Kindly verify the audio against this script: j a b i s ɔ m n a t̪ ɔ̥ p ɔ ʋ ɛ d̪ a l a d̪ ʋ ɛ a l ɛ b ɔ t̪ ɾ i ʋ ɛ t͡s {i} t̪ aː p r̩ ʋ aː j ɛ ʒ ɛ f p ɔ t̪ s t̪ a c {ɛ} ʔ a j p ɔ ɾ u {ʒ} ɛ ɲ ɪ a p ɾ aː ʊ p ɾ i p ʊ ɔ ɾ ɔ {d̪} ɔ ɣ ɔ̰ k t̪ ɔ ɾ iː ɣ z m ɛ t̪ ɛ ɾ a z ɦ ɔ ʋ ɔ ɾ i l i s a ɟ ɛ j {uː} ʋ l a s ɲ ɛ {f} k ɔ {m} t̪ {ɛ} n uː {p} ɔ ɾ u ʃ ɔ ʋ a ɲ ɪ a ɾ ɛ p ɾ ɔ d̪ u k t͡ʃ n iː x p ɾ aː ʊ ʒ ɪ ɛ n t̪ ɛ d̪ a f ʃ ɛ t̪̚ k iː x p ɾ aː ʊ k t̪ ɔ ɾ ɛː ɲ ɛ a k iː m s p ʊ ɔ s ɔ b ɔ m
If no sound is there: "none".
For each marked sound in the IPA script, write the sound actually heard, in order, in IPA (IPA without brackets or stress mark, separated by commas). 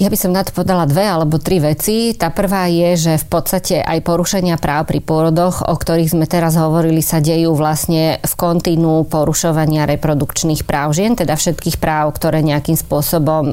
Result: i, ɛ, ʃ, d̪, uː, f, n, i, p